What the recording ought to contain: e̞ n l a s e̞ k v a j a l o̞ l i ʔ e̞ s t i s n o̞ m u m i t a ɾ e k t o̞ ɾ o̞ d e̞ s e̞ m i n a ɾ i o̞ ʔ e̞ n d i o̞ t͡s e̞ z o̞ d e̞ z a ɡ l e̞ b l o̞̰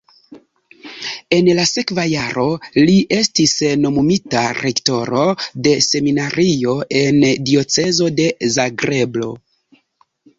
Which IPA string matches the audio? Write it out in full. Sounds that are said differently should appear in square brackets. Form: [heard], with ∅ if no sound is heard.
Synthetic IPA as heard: e̞ n l a s e̞ k v a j a [ɾ] o̞ l i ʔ e̞ s t i s n o̞ m u m i t a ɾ e k t o̞ ɾ o̞ d e̞ s e̞ m i n a ɾ i o̞ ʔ e̞ n d i o̞ t͡s e̞ z o̞ d e̞ z a ɡ [ɾ] e̞ b l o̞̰